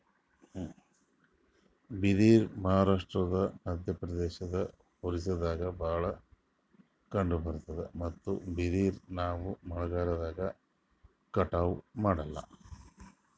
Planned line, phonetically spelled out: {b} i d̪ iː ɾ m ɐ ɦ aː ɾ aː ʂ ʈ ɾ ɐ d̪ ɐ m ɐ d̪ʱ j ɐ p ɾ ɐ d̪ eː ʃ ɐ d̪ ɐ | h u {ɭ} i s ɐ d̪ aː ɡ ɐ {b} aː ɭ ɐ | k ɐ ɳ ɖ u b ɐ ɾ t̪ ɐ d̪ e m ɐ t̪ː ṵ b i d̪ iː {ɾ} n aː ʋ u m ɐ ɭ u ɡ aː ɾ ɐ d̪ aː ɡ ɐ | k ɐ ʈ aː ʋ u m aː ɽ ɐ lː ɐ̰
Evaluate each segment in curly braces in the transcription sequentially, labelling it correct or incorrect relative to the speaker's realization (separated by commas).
correct, incorrect, correct, correct